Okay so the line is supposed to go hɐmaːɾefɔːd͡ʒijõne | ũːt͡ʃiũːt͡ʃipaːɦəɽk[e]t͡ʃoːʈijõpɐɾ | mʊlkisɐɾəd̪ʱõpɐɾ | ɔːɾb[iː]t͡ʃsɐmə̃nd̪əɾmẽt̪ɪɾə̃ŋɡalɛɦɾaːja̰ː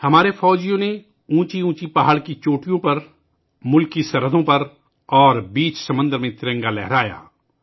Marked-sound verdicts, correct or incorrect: incorrect, correct

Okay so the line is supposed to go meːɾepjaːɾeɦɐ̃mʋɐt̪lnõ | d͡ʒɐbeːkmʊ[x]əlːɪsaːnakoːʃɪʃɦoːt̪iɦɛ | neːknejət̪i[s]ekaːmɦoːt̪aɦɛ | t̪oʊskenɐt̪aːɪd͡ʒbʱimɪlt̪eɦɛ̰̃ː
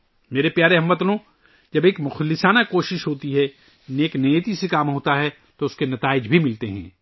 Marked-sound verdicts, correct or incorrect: correct, correct

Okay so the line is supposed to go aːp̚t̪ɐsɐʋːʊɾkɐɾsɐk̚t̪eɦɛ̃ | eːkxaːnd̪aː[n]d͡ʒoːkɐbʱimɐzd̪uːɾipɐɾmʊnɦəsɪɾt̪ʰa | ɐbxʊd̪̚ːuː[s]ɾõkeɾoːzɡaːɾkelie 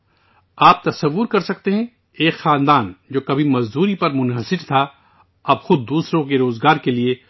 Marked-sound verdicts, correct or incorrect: correct, correct

